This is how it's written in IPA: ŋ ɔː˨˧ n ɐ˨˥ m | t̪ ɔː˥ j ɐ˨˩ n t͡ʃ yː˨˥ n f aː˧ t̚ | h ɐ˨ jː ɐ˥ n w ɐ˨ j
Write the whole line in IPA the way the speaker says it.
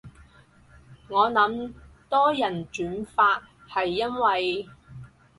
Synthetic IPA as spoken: ŋ ɔː˨˧ n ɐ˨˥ m | t̪ ɔː˥ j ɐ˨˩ n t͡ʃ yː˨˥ n f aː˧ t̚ | h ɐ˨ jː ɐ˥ n w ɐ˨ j